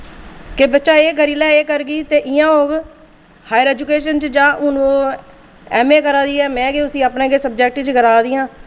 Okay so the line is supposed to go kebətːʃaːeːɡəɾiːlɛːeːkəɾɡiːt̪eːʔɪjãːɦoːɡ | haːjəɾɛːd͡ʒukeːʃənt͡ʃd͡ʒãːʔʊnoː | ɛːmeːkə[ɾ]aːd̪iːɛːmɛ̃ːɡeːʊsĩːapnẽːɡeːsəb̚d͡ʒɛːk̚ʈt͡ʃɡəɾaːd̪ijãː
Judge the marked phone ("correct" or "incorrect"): correct